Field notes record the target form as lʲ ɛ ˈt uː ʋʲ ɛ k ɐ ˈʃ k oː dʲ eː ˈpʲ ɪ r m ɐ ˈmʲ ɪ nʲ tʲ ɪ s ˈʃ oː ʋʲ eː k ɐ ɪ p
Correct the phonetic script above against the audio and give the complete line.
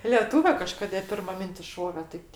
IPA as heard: lʲ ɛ ˈt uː ʋʲ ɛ k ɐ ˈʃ k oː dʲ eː ˈpʲ ɪ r m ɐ ˈmʲ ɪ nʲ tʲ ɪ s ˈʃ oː ʋʲ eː t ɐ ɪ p